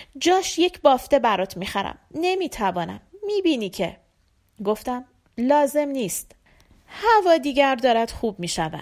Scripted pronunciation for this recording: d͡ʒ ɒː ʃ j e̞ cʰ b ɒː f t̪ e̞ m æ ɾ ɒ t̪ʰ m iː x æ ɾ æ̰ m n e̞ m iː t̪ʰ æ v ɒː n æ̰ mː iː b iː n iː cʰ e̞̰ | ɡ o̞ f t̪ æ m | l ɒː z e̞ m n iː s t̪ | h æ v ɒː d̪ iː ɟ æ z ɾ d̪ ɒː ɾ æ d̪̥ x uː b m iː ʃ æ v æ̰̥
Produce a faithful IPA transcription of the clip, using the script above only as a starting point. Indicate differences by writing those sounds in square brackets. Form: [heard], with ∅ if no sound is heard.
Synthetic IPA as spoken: d͡ʒ ɒː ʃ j e̞ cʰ b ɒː f t̪ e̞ [b] æ ɾ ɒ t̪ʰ m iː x æ ɾ æ̰ m n e̞ m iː t̪ʰ æ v ɒː n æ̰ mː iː b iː n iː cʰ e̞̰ | ɡ o̞ f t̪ æ m | l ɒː z e̞ m n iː s t̪ | h æ v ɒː d̪ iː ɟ æ [∅] ɾ d̪ ɒː ɾ æ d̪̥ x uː b m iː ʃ æ v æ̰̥